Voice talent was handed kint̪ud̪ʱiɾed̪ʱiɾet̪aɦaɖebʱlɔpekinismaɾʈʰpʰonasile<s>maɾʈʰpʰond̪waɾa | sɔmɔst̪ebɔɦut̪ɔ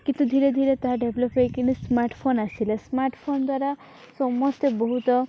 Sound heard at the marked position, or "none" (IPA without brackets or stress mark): s